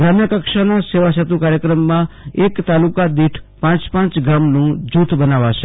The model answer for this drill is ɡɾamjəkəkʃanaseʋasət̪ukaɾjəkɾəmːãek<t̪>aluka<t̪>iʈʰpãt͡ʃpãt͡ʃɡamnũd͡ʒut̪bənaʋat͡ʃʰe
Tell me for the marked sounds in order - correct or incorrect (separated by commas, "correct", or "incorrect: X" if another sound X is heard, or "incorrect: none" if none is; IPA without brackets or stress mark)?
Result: correct, incorrect: d̪